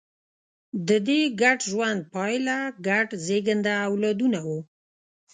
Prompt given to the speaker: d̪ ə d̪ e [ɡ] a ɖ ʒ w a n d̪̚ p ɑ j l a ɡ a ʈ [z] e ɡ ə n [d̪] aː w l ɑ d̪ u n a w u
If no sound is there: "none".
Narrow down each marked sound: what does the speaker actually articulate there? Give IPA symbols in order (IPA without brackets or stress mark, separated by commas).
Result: ɡ, z, d̪